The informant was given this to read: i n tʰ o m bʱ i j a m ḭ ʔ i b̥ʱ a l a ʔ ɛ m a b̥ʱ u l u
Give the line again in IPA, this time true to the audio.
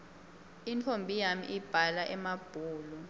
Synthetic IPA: i n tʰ o m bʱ i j a m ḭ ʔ i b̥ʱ a l a ʔ ɛ m a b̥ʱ uː l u